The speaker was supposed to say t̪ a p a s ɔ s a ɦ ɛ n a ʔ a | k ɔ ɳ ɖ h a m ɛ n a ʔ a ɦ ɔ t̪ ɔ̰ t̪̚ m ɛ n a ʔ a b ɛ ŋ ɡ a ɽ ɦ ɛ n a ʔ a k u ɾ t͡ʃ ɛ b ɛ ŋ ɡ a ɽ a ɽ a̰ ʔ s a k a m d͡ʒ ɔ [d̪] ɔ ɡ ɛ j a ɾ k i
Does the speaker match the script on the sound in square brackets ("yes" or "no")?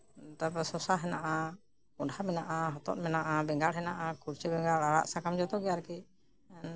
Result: no